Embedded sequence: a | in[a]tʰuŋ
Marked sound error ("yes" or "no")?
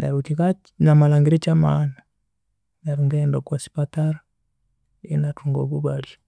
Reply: no